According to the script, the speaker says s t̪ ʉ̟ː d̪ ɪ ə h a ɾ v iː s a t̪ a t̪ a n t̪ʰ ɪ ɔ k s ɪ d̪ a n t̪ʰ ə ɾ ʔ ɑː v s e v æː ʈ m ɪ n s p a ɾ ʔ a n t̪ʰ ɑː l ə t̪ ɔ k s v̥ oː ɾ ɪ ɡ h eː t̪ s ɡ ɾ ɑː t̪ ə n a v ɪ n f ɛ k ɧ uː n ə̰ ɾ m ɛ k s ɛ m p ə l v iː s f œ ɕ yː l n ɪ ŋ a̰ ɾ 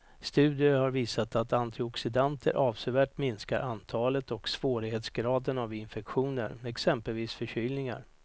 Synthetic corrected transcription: s t̪ ʉ̟ː d̪ ɪ ə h a ɾ v iː s a t̪ a t̪ a n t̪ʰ ɪ ɔ k s ɪ d̪ a n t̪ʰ ə ɾ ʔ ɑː v s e v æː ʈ m ɪ n s k a ɾ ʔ a n t̪ʰ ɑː l ə t̪ ɔ k s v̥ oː ɾ ɪ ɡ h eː t̪ s ɡ ɾ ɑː d̪ ə n a v ɪ n f ɛ k ɧ uː n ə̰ ɾ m ɛ k s ɛ m p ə l v iː s f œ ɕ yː l n ɪ ŋ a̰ ɾ